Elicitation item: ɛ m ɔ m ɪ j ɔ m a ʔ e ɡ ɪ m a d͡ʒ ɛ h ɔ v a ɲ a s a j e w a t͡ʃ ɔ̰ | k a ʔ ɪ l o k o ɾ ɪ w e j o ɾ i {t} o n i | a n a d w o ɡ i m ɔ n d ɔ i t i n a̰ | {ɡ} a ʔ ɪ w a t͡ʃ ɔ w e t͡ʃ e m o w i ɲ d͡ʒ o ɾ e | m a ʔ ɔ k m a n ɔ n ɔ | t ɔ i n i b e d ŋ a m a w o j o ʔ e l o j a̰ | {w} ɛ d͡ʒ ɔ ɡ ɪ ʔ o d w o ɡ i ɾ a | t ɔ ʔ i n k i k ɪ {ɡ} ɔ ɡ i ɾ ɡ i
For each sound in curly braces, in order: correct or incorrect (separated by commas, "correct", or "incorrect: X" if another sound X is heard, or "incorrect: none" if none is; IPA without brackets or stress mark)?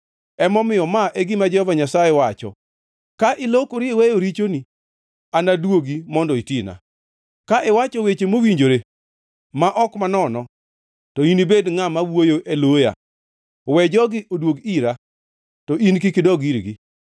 incorrect: t͡ʃ, incorrect: k, correct, incorrect: d